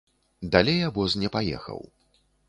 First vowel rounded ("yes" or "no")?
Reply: no